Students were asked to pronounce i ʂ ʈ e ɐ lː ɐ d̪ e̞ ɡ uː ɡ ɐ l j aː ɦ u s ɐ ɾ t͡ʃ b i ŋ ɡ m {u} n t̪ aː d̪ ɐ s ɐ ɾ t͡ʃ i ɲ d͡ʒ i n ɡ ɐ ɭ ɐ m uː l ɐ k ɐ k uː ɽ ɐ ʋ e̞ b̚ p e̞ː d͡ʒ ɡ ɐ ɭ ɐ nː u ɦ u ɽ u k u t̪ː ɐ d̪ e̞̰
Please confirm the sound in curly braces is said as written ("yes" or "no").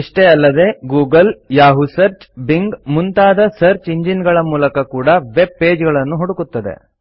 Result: yes